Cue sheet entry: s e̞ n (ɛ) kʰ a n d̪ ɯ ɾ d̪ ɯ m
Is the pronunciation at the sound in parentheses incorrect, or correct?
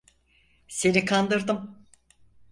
incorrect